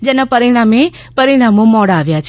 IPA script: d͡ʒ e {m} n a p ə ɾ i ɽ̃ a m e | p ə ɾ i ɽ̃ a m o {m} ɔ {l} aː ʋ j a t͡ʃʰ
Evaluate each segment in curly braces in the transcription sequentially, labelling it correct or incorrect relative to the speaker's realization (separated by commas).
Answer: incorrect, correct, incorrect